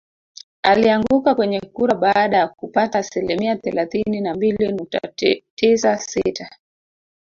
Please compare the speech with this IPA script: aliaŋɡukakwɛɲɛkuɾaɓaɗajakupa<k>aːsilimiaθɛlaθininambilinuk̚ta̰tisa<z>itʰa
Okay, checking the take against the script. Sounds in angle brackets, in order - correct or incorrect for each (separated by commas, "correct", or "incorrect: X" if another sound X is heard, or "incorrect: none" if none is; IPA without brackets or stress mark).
incorrect: t, incorrect: s